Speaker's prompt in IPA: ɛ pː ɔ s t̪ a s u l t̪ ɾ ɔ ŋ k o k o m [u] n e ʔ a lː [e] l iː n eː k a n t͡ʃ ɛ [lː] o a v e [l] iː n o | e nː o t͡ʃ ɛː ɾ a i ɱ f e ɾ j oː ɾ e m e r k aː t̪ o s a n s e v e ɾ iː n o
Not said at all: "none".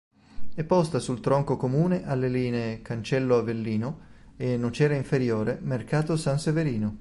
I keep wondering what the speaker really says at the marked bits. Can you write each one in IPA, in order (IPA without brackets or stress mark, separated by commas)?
uː, e, lː, lː